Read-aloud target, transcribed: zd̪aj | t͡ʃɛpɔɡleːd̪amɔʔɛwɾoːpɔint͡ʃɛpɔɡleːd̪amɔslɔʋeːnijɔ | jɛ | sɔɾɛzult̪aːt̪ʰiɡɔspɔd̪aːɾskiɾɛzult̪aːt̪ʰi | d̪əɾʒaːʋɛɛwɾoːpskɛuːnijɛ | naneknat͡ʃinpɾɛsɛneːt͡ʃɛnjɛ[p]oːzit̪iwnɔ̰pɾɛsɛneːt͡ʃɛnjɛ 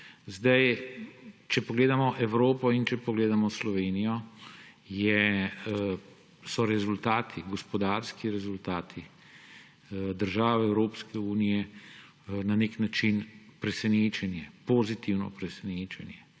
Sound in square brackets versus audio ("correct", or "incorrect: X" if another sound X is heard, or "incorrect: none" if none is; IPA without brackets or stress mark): correct